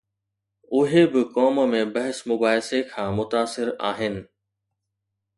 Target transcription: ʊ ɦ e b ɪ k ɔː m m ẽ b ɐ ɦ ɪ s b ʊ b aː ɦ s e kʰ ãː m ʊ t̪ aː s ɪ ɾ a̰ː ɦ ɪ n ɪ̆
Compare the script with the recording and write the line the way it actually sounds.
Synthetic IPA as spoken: ʊ ɦ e b ɪ k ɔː m m ẽ b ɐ ɦ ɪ s m ʊ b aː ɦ s e kʰ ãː m ʊ t̪ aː s ɪ ɾ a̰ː ɦ ɪ n ɪ̆